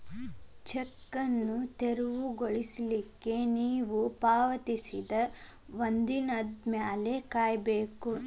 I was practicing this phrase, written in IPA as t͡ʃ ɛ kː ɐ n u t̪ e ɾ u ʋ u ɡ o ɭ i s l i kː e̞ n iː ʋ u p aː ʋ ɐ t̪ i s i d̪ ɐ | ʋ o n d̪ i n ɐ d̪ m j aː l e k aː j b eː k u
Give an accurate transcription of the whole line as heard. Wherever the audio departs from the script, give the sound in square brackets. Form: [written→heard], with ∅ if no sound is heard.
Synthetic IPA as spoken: t͡ʃ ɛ kː ɐ [n→nː] u t̪ e ɾ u ʋ u ɡ o ɭ i s l i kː e̞ n iː ʋ u p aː ʋ ɐ t̪ i s i d̪ ɐ | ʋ o n d̪ i n ɐ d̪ m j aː l e k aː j b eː k u